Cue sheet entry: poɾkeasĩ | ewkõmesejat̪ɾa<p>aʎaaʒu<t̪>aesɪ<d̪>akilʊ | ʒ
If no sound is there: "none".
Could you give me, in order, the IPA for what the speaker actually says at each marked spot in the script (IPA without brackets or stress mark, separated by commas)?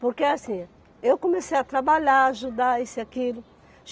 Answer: b, d̪, none